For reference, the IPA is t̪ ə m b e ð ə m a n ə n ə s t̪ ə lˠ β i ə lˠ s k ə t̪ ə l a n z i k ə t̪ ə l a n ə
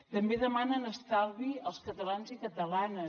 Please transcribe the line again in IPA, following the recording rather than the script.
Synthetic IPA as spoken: t̪ ə m b e ð ə m a n ə n ə s t̪ a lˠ β i ə lˠ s k ə t̪ ə l a n z i k ə t̪ ə l a n ə